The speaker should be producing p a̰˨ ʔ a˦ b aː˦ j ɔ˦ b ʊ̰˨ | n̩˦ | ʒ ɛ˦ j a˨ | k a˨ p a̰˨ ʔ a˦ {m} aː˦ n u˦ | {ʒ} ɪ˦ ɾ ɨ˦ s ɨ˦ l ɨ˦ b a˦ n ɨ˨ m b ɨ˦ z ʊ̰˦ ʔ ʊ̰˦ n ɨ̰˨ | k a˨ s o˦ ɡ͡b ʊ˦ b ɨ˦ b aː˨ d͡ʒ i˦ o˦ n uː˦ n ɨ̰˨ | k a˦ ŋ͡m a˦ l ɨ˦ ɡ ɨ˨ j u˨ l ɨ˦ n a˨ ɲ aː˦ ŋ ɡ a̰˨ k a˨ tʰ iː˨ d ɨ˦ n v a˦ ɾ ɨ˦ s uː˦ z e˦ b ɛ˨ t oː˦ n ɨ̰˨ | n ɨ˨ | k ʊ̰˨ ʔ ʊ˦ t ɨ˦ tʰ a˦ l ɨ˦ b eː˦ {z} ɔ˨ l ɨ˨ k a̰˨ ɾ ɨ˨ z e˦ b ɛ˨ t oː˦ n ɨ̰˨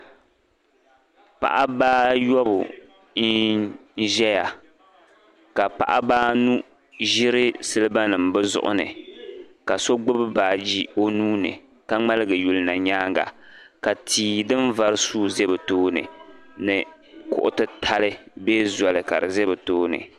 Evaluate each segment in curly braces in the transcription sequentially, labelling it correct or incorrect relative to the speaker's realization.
incorrect: b, correct, correct

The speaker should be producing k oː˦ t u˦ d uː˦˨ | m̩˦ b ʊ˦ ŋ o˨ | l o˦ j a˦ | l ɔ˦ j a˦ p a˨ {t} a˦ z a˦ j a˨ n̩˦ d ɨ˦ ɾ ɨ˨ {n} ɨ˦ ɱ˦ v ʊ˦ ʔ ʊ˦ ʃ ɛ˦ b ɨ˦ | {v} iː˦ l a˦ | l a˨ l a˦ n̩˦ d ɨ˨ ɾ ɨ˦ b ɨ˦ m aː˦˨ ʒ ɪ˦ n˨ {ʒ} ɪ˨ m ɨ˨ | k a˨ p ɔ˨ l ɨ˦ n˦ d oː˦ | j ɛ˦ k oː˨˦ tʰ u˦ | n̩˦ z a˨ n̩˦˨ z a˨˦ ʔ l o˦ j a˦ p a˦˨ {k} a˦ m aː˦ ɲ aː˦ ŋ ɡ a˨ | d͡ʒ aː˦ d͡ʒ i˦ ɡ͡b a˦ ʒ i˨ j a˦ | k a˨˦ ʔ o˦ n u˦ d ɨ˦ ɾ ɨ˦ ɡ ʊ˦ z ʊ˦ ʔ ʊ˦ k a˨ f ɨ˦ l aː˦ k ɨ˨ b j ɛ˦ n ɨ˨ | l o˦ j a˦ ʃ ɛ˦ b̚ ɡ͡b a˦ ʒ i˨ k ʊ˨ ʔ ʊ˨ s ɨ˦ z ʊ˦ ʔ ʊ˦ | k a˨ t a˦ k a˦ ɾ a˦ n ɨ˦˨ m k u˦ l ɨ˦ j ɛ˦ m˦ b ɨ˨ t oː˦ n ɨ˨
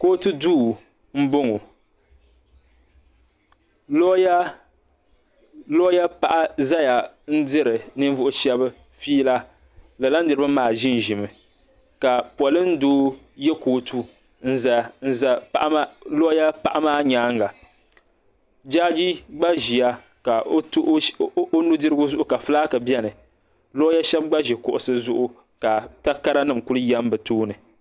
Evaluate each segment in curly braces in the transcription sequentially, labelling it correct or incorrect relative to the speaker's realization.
incorrect: ʔ, correct, incorrect: f, correct, incorrect: ʔ

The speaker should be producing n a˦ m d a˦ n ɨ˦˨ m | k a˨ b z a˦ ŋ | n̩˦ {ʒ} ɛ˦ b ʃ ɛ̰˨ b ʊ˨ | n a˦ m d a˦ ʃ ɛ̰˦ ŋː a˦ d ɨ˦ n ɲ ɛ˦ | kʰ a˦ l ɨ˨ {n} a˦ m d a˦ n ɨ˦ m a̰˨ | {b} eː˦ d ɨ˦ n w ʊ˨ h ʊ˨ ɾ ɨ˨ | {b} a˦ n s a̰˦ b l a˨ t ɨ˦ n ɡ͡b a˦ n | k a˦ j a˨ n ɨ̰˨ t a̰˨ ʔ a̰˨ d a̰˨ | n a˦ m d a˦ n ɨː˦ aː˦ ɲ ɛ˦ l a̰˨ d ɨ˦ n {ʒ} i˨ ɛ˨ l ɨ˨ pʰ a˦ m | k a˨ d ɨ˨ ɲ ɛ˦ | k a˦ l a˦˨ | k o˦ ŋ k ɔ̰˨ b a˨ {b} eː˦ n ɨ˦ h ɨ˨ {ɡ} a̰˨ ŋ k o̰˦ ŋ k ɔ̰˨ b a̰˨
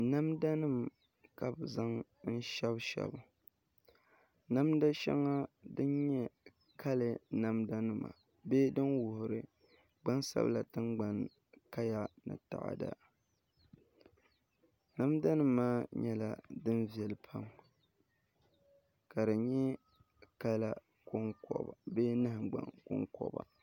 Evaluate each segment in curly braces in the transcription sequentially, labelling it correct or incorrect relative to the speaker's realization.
incorrect: ʃ, correct, correct, incorrect: ɡ͡b, incorrect: v, correct, incorrect: ɡ͡b

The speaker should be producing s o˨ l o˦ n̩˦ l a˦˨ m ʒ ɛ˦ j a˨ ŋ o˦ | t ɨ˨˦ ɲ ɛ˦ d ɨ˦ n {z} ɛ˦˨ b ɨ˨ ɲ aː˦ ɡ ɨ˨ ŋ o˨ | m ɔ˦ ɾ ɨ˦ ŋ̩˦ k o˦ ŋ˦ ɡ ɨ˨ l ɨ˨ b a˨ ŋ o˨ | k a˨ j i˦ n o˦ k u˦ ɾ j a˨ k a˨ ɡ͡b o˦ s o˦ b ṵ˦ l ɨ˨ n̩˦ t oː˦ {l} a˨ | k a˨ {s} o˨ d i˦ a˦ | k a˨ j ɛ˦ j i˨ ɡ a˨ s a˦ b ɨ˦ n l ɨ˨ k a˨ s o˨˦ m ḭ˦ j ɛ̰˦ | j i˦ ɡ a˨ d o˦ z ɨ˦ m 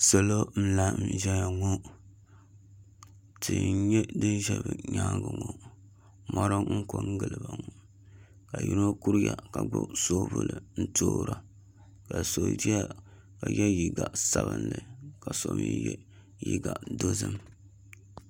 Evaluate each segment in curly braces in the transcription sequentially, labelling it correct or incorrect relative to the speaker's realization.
incorrect: ʒ, incorrect: ɾ, correct

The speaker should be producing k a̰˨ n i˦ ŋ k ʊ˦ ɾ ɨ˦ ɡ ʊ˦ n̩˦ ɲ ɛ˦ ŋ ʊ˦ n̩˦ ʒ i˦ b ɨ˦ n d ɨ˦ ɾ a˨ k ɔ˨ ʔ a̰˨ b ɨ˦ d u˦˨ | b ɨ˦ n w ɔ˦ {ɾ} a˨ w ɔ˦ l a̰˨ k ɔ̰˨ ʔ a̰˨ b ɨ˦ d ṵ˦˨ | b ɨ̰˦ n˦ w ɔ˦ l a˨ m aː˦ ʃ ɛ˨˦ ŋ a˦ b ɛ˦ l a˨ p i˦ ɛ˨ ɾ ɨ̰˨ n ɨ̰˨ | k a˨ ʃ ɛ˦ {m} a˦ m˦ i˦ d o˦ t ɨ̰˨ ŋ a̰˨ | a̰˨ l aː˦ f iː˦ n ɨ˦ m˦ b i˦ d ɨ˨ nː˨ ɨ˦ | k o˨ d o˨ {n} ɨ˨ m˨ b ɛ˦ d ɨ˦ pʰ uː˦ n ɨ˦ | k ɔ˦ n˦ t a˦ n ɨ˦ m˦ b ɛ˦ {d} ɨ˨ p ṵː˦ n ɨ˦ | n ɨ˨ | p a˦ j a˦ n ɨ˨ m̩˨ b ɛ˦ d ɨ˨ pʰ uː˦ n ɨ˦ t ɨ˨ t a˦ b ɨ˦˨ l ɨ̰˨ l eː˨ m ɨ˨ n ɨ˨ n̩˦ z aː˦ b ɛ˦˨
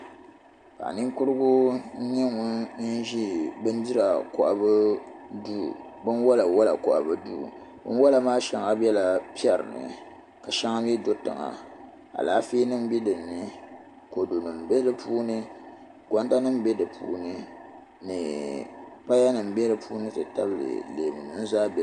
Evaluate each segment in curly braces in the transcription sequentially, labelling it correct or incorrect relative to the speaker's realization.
incorrect: l, incorrect: ŋ, correct, correct

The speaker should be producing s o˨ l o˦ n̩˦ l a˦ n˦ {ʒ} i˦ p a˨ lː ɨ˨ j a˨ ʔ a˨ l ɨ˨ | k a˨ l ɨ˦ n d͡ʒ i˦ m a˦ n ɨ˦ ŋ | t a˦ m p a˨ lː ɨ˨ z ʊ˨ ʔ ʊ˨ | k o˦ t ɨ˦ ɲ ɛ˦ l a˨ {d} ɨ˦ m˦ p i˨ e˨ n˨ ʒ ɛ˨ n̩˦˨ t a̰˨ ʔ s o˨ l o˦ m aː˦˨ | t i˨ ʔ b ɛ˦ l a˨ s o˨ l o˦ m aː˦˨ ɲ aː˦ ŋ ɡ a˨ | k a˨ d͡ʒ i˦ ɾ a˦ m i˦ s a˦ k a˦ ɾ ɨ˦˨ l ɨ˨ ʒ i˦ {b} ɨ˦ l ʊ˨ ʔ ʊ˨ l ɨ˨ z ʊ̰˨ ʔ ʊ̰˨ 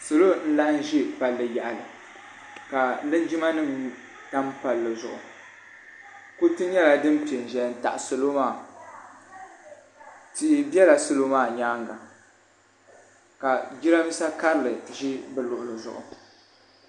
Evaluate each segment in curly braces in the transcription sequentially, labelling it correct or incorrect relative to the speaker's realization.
correct, correct, correct

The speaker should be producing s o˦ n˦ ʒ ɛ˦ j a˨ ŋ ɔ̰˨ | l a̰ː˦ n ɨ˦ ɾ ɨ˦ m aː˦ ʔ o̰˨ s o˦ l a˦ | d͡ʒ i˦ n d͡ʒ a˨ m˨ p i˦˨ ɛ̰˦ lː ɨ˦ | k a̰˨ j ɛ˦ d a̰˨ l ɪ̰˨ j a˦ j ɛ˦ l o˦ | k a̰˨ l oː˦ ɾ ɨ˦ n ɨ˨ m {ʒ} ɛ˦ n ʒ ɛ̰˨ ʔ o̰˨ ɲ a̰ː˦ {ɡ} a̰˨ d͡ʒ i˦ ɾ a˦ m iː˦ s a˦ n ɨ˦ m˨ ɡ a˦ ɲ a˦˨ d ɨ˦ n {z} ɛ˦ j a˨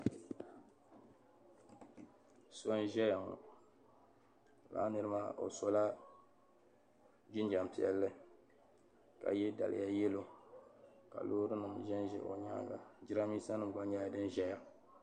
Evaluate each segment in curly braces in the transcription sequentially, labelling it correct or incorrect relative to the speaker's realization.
correct, correct, incorrect: ʒ

